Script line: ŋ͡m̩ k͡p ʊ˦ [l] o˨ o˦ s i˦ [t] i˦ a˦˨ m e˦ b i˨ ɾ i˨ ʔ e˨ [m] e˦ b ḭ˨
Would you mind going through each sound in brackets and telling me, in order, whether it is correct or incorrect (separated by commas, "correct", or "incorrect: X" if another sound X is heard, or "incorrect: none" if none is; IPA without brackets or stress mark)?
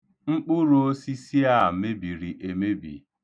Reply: incorrect: ɾ, incorrect: s, correct